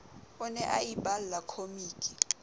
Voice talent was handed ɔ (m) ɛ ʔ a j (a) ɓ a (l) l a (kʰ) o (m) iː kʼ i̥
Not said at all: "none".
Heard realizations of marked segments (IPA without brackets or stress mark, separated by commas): n, i, l, kʰ, m